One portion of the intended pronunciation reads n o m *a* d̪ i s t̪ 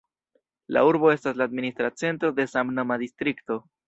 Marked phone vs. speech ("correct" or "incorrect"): correct